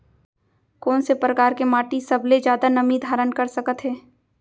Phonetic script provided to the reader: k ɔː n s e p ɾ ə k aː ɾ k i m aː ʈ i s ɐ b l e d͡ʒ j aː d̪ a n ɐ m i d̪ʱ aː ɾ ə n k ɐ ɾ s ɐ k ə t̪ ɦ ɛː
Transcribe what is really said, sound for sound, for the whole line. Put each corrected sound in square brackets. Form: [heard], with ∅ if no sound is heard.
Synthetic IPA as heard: k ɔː n s e p ɾ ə k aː ɾ k [e] m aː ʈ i s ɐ b l e d͡ʒ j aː d̪ a n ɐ m i d̪ʱ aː ɾ ə n k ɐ ɾ s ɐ k ə t̪ ɦ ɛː